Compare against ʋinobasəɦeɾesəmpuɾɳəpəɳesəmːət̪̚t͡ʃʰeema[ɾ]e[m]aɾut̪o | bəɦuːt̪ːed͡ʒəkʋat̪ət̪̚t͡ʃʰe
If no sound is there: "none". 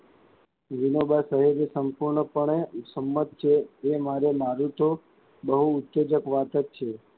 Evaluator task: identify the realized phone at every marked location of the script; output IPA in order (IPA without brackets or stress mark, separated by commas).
ɾ, m